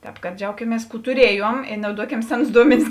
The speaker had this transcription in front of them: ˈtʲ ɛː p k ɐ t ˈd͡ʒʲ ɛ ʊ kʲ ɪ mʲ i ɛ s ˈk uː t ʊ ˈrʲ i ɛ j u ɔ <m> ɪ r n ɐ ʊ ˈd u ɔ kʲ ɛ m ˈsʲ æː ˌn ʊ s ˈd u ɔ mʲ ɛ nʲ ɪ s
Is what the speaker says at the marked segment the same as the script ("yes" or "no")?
yes